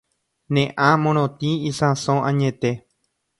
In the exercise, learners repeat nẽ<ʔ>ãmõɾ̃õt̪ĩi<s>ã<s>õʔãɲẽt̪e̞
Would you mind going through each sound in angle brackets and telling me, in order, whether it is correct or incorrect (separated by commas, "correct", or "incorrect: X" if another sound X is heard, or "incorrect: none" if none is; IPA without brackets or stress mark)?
correct, correct, correct